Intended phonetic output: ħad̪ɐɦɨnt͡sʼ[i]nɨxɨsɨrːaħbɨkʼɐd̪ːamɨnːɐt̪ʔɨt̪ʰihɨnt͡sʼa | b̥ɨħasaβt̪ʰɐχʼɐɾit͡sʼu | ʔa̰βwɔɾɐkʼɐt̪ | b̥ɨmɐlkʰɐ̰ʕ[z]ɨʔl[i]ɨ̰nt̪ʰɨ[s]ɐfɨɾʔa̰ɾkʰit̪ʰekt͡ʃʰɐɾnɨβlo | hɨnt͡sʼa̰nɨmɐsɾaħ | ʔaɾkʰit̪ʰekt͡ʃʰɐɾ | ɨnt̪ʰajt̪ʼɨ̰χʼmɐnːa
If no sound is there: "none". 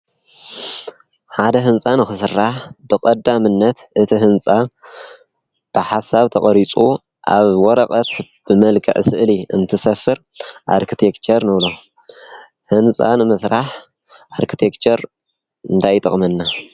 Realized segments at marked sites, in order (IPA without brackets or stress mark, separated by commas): a, s, i, s